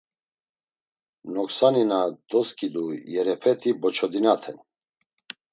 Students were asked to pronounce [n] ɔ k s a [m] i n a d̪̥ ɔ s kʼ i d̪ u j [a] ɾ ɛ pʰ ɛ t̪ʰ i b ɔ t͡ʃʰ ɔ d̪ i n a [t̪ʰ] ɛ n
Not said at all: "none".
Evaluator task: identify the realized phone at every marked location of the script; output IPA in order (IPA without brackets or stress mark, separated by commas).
n, n, ɛ, t̪ʰ